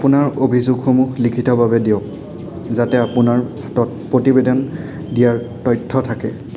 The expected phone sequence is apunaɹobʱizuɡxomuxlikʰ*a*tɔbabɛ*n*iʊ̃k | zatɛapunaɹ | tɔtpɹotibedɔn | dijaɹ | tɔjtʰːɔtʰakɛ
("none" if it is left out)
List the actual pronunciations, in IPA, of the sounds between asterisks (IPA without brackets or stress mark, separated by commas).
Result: i, d